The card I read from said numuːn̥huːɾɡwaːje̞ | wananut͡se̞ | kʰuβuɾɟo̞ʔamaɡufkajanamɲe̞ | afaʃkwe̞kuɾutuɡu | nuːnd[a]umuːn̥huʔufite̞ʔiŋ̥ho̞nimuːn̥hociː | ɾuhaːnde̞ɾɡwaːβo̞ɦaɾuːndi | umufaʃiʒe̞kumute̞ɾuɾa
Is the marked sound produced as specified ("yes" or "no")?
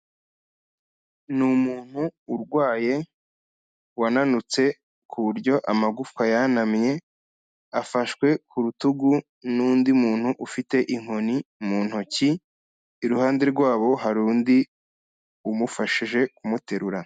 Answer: no